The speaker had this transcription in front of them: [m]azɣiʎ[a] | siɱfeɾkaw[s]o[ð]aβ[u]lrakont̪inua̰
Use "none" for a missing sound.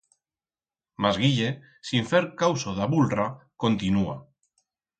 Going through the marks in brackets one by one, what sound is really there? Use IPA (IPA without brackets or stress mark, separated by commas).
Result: m, e, s, ð, u